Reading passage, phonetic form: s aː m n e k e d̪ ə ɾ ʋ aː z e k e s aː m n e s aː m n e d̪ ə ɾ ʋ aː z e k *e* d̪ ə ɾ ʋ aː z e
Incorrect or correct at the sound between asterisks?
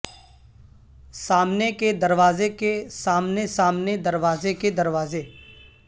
correct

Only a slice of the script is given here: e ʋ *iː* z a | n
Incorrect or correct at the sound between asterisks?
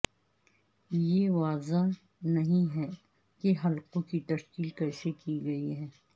incorrect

